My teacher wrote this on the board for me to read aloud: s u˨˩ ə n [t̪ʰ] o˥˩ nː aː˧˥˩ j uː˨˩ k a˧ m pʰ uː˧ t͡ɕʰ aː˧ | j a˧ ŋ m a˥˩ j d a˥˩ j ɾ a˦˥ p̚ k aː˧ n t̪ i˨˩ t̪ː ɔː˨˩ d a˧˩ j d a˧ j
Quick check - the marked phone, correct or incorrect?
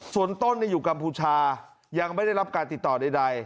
incorrect